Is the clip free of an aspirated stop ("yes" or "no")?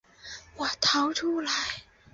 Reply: no